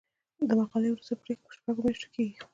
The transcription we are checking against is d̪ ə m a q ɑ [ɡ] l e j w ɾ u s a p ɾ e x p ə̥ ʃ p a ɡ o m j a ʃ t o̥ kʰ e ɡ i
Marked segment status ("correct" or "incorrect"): incorrect